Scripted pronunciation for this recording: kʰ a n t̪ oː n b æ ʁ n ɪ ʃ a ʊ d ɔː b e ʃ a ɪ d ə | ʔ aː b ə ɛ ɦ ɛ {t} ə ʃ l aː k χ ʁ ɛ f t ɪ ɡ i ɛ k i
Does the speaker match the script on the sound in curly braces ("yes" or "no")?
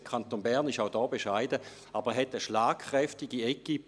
yes